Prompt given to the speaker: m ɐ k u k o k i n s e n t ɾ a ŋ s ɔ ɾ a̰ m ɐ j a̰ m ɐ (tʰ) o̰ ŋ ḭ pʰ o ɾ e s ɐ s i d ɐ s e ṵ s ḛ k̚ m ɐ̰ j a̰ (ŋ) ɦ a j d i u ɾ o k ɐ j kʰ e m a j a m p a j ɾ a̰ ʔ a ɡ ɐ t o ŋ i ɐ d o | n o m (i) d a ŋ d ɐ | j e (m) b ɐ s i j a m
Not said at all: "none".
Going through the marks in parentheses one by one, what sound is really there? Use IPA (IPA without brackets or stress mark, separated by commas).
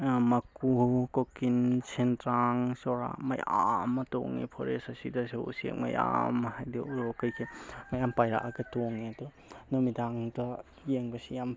t, m, i, ŋ